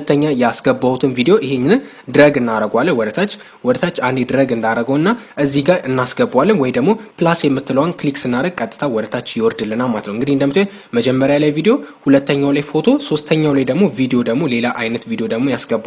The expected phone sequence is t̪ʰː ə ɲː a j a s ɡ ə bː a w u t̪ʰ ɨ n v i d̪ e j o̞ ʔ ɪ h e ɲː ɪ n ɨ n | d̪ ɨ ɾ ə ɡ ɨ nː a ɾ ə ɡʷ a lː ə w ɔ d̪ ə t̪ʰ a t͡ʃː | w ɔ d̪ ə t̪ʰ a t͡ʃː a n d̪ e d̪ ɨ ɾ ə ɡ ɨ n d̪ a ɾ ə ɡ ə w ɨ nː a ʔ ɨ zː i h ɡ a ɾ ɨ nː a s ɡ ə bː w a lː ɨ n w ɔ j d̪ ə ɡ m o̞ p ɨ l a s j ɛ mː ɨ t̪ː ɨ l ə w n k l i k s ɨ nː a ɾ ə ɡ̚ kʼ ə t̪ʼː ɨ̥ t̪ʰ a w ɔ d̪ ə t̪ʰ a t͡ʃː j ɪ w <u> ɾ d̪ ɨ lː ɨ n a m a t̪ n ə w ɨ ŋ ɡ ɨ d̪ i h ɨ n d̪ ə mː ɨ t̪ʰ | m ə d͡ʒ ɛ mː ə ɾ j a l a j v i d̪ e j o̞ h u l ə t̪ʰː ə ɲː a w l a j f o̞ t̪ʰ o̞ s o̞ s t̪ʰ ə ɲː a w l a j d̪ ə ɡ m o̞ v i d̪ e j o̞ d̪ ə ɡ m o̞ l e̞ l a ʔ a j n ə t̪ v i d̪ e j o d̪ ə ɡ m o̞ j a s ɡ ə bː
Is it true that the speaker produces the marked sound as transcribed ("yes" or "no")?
no